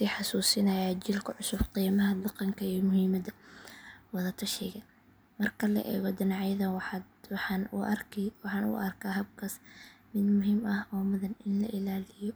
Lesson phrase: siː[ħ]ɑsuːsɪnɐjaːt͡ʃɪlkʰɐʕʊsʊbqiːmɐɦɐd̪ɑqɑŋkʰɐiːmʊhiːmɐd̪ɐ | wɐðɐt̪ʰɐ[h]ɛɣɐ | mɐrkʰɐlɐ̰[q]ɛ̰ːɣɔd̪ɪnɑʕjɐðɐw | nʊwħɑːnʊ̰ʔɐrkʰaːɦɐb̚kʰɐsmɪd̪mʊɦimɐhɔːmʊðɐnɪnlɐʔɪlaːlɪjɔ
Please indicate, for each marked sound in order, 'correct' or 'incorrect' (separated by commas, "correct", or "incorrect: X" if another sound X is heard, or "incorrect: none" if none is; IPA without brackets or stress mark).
correct, incorrect: ʃ, incorrect: ʔ